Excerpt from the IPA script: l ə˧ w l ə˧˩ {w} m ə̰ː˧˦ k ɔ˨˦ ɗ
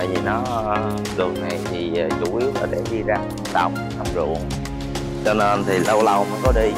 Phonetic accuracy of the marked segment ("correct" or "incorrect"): correct